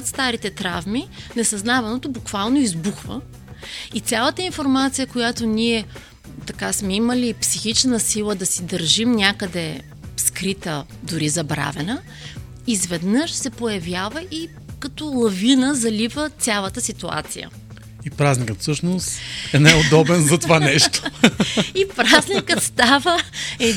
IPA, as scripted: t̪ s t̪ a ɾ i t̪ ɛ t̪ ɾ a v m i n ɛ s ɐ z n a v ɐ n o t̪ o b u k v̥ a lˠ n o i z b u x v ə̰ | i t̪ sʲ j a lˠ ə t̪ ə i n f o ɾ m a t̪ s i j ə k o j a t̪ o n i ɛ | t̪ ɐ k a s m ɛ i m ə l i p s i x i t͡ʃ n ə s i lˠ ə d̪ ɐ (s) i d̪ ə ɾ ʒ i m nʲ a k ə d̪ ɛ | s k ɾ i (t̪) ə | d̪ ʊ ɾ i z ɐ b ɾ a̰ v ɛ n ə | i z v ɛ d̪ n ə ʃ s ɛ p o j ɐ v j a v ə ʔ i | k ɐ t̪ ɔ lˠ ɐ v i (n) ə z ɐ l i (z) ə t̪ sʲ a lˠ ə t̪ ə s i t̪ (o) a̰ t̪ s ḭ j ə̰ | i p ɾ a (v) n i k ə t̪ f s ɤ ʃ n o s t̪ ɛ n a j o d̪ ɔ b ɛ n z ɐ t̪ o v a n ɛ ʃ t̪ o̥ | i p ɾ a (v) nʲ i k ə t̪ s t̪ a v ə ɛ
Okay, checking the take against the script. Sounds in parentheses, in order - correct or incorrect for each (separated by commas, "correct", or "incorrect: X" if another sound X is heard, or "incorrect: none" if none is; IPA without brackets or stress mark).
correct, correct, correct, incorrect: v, incorrect: u, incorrect: z, incorrect: z